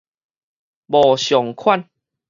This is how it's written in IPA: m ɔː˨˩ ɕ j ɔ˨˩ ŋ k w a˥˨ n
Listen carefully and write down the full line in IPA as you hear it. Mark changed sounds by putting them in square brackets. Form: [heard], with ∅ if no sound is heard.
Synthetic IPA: [b] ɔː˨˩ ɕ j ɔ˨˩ ŋ [kʰ] w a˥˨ n